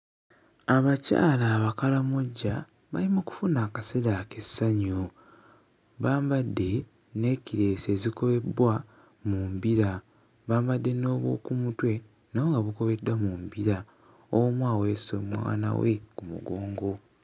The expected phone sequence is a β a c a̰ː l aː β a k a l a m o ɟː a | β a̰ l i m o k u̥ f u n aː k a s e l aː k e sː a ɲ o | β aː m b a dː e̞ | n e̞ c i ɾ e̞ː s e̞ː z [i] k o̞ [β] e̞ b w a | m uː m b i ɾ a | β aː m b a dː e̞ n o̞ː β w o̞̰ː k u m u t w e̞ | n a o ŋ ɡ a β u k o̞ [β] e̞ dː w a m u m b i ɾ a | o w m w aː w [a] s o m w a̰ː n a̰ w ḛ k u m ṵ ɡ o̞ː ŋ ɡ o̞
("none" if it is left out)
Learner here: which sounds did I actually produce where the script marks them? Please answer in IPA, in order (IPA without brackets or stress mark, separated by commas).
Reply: i, β, β, e